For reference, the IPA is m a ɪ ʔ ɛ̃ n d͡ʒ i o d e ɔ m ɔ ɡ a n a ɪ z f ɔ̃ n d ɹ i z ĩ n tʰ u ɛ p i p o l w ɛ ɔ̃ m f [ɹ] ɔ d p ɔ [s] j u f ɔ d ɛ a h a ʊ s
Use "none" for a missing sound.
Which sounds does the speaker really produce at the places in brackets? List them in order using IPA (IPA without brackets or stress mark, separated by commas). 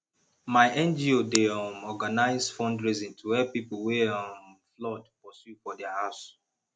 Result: l, s